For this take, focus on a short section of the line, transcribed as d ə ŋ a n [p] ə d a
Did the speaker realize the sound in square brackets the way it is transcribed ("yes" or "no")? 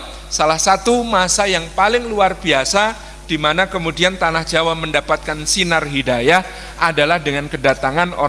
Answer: no